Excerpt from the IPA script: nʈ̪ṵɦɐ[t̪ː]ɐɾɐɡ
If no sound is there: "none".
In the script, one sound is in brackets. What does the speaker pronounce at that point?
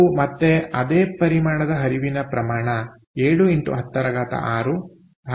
t̪ː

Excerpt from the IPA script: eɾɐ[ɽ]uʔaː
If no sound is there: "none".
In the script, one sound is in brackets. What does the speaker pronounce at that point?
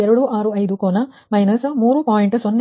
ɽ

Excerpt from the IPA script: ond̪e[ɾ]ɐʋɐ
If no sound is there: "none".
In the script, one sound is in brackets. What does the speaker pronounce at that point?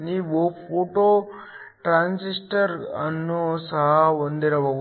ɾ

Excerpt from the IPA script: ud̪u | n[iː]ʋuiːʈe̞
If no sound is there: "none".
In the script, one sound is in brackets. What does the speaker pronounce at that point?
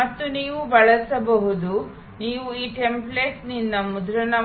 iː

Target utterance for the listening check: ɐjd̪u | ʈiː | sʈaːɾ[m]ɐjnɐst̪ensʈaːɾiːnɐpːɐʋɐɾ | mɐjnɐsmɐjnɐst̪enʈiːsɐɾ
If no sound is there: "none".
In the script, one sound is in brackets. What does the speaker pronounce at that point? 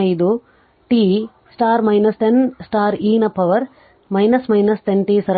m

